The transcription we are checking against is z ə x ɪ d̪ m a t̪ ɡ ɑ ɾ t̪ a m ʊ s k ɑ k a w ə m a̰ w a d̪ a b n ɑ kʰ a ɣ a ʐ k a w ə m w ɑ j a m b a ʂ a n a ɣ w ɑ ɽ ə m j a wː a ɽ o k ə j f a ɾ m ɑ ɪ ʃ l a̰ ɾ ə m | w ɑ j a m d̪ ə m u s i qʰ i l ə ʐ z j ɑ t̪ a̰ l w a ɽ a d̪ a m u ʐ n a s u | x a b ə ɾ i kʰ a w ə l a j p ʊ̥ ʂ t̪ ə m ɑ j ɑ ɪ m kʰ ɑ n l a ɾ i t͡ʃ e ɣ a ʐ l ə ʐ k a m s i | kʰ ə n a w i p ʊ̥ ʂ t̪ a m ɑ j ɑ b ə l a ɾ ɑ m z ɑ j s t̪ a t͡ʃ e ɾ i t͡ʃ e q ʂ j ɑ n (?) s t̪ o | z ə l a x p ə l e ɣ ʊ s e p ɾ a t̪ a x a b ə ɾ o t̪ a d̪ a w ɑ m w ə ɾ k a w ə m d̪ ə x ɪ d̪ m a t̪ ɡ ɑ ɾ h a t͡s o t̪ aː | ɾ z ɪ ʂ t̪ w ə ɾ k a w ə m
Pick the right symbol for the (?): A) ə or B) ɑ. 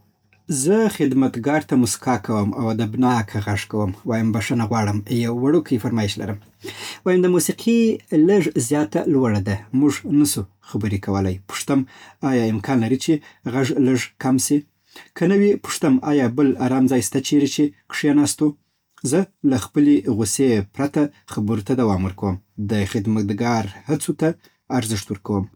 B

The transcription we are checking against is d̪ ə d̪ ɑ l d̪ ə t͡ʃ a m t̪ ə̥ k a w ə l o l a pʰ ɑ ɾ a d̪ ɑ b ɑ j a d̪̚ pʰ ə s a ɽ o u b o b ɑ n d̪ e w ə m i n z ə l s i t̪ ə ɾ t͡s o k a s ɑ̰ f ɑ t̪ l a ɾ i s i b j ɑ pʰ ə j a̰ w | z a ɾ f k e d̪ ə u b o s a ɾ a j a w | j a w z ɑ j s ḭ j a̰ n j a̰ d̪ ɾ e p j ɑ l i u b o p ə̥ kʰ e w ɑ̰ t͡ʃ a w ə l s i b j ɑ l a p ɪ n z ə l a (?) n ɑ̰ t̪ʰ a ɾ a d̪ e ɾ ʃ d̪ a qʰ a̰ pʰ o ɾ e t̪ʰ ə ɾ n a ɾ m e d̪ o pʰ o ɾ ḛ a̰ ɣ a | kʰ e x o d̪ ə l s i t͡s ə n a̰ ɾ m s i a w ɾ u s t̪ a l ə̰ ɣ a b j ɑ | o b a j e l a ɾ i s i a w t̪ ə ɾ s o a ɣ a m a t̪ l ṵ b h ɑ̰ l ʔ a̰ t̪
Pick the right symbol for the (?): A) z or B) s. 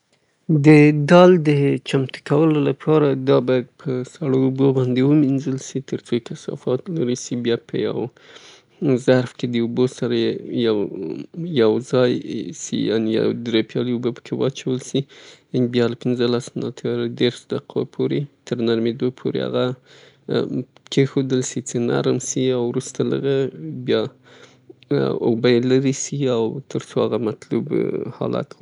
B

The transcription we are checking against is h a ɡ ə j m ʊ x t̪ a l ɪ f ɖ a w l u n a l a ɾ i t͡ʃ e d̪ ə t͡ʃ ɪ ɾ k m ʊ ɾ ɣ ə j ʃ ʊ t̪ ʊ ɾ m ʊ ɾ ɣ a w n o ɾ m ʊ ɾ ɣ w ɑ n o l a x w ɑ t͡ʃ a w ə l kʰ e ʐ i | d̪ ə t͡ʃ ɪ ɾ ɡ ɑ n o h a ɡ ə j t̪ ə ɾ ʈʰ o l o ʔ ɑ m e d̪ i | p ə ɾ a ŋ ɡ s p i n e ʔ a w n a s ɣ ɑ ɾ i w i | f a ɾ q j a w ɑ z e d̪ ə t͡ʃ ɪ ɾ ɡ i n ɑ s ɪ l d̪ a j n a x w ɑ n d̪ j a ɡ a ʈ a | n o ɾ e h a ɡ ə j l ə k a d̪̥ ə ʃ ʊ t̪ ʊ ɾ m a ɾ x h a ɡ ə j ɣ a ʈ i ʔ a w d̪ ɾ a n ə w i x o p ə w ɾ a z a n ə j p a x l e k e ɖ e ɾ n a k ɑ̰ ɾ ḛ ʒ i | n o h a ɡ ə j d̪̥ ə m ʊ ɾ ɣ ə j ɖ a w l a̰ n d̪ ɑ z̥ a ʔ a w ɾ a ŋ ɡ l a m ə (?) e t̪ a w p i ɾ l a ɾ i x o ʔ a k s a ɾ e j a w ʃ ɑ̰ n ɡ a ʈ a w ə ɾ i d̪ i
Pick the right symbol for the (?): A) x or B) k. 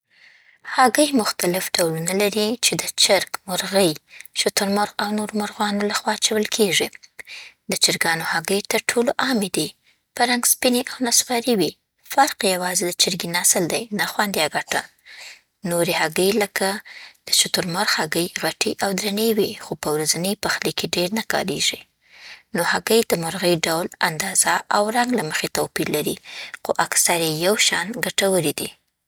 A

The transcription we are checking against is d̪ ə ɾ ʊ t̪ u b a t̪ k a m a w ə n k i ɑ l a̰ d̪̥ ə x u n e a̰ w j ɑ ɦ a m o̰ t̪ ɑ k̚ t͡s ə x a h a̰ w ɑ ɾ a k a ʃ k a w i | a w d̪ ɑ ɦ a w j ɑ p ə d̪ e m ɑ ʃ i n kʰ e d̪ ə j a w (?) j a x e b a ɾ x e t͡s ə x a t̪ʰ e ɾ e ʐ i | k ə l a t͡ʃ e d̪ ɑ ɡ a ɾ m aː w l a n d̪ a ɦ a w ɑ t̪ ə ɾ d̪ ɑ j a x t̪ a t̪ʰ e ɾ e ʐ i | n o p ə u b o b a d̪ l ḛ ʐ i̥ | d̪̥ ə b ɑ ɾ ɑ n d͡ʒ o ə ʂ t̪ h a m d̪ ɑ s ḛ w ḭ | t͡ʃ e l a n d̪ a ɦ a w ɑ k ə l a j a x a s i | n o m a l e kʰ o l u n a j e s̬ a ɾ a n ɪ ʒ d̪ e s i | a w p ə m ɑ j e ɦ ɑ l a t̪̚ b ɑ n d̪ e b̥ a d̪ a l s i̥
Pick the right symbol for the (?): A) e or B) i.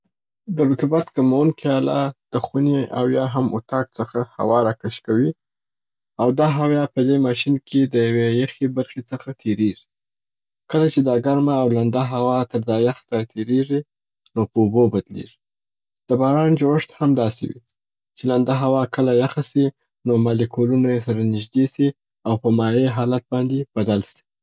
A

